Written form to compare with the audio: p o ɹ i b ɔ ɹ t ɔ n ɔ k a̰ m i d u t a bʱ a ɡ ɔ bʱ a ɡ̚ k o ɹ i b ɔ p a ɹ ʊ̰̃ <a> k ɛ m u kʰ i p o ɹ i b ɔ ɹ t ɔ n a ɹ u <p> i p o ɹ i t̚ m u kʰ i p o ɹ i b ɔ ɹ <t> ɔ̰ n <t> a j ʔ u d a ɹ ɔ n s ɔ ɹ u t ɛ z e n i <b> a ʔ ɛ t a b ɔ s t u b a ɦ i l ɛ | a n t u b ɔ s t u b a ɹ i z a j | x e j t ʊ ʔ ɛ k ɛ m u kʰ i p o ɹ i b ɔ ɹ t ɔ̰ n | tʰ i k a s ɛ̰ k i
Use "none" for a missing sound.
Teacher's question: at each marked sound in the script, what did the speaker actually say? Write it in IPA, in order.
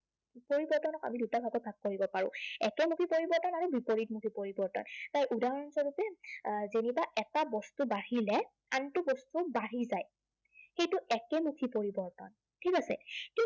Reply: ɛ, b, t, t, b

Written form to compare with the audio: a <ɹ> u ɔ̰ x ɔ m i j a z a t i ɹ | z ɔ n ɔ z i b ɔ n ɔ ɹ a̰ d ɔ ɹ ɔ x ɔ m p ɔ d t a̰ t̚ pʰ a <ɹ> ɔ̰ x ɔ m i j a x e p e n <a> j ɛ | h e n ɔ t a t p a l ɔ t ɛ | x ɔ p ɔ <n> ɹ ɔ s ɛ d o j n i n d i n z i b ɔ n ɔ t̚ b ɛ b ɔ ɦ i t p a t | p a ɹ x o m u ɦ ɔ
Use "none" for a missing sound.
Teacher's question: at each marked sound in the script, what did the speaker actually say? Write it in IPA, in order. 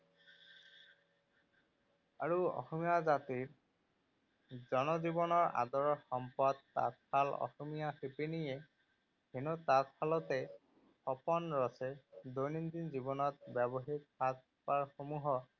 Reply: ɹ, l, i, n

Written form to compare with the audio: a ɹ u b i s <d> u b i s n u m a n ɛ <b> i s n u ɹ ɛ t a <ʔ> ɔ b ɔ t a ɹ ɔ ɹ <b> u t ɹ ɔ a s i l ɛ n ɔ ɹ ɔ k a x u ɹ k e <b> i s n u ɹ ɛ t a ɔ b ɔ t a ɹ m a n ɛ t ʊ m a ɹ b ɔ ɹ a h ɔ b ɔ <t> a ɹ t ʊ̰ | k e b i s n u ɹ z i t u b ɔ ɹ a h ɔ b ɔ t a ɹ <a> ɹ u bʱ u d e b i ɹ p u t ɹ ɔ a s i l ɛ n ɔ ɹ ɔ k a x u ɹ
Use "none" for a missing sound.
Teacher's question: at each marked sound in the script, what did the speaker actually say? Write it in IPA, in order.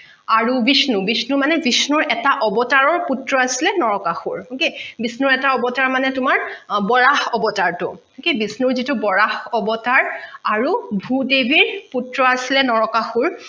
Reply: n, b, ʔ, p, b, t, a

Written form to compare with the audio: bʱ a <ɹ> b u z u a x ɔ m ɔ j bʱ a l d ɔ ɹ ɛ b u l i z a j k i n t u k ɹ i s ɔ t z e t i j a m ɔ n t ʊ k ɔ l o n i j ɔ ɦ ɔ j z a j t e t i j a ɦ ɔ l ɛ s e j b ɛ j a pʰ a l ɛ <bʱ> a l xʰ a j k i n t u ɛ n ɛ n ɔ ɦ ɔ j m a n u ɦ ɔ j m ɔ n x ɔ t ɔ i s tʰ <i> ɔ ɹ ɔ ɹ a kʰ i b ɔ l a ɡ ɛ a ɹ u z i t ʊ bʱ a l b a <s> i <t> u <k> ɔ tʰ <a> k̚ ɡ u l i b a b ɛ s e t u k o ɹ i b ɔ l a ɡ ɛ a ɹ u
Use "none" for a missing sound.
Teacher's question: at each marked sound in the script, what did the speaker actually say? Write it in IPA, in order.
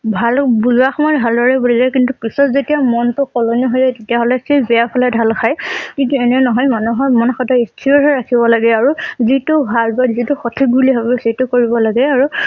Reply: l, dʱ, i, z, t, x, i

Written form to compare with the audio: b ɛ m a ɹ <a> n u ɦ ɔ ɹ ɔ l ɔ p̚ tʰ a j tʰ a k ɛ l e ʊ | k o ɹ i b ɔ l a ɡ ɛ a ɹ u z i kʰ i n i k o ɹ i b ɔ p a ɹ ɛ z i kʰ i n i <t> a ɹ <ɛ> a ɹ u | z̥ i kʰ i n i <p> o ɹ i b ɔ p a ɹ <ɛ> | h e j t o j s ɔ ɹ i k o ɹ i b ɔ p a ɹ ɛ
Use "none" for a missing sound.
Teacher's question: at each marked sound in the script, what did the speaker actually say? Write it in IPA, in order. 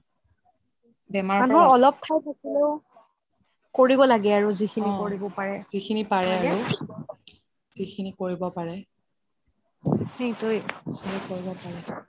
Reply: a, p, ɛ, k, ɛ

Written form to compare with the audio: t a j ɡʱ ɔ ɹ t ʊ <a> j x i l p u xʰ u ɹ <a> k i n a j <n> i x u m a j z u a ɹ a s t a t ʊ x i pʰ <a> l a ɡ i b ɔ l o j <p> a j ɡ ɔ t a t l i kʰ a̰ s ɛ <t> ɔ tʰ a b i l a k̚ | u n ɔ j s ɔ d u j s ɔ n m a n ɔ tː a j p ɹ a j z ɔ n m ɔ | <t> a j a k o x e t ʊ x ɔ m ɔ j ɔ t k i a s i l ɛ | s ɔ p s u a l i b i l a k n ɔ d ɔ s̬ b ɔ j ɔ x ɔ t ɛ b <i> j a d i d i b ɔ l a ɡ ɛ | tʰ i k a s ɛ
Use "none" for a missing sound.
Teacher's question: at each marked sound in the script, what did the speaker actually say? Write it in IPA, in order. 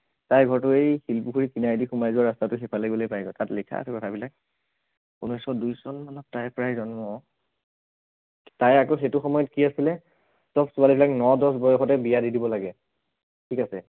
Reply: e, i, d, a, p, k, t, i

